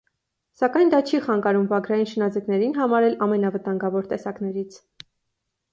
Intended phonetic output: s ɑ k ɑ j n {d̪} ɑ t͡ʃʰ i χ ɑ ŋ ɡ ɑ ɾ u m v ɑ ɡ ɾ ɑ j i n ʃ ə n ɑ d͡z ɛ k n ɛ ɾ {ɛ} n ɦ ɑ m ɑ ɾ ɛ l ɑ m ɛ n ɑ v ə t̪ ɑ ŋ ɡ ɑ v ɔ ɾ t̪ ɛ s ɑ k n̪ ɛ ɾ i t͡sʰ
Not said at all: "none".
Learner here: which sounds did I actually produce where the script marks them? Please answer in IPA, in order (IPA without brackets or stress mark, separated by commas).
d̪, i